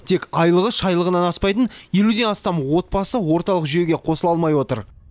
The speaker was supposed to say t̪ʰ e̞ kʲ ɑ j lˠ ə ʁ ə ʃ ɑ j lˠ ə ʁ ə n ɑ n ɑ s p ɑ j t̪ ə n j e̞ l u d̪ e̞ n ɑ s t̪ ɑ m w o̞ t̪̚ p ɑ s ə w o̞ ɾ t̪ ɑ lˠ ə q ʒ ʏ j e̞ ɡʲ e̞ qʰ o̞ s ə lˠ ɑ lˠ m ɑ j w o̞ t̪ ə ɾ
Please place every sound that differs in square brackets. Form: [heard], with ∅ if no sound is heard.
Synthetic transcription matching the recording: t̪ʰ e̞ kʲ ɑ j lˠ ə ʁ ə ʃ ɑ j lˠ ə ʁ ə n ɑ n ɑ s p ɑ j t̪ ə n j e̞ l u d̪ e̞ n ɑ s t̪ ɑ m w o̞ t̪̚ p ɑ s ə w o̞ ɾ t̪ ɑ lˠ ə q ʒ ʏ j e̞ ɡʲ e̞ qʰ o̞ s ə lˠ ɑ lˠ m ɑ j w o̞ t̪ ə ɾ